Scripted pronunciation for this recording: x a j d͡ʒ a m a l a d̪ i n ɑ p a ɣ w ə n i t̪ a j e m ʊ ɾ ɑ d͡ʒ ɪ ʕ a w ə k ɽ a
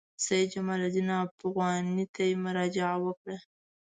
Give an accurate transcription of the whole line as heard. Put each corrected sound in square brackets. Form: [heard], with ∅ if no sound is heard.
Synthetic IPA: [s] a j d͡ʒ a m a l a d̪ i n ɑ p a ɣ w [ɑ] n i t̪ a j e m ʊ ɾ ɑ d͡ʒ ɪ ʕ a w ə k ɽ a

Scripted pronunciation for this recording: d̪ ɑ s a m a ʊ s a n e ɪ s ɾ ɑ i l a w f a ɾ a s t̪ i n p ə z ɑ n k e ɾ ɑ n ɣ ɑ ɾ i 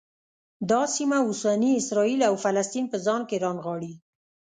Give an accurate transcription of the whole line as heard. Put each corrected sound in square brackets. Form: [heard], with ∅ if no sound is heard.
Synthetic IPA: d̪ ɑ s [i] m a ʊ s a n [i] ɪ s ɾ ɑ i l a w f a [l] a s t̪ i n p ə z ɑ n k e ɾ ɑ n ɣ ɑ [ɽ] i

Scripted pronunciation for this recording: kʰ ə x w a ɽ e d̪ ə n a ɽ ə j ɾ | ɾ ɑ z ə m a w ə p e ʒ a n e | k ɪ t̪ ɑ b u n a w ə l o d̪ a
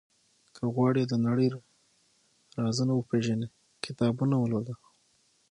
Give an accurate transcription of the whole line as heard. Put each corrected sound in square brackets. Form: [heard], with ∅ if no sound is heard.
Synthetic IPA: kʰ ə [ɣ] w [ɑ] ɽ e d̪ ə n a ɽ ə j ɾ | ɾ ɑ z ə [n] a w ə p e ʒ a n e | k ɪ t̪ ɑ b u n a w ə l o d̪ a

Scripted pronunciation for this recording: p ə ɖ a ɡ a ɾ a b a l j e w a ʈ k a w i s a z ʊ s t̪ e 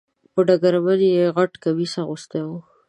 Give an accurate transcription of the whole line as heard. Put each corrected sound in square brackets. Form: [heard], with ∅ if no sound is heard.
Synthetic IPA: p ə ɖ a ɡ a ɾ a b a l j e [ɣ] a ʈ k a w i s a [ɣ] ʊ s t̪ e

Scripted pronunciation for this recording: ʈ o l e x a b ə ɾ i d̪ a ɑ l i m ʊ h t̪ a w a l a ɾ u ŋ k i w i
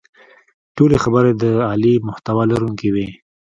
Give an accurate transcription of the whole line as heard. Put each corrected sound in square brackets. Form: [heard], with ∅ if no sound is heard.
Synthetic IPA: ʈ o l e x a b ə ɾ [e] d̪ [ə] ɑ l i m ʊ h t̪ a w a l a ɾ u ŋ k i w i

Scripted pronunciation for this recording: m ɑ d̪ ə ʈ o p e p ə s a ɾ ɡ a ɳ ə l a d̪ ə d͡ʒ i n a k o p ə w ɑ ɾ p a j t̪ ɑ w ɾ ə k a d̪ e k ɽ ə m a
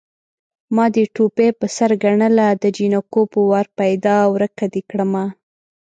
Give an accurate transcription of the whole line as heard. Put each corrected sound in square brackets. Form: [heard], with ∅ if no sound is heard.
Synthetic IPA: m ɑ d̪ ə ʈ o p e p ə s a ɾ ɡ a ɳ ə l a d̪ ə d͡ʒ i n a k o p ə w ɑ ɾ p a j [d̪] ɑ w ɾ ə k a d̪ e k ɽ ə m a

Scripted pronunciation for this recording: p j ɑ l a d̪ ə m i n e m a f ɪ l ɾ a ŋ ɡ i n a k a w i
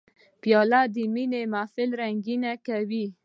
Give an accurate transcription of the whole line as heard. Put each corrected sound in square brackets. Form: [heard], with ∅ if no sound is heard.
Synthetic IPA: p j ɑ l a d̪ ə m i n e m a f ɪ l ɾ a ŋ ɡ i n a k a w i

